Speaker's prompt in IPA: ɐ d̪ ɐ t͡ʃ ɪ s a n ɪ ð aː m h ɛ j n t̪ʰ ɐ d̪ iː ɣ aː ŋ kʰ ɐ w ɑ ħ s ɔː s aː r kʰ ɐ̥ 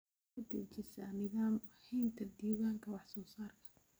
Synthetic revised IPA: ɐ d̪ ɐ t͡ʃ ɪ s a n ɪ ð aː m h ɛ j n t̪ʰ ɐ d̪ iː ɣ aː ŋ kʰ ɐ w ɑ ħ s ɔː s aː r kʰ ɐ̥